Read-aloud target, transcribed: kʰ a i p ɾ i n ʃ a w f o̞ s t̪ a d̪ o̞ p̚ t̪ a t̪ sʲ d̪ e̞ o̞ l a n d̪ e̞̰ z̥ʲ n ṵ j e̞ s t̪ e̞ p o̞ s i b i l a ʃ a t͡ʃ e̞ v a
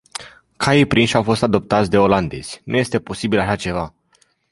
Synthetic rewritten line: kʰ a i p ɾ i n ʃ a w f o̞ s t̪ a d̪ o̞ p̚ t̪ a t̪ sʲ d̪ e̞ o̞ l a n d̪ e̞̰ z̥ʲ n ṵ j e̞ s t̪ e̞ p o̞ s i b i l a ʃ a t͡ʃ e̞ v a